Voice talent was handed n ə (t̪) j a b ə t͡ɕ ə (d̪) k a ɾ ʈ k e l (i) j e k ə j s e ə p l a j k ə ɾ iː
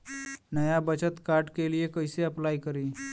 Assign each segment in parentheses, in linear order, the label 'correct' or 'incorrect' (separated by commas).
incorrect, incorrect, correct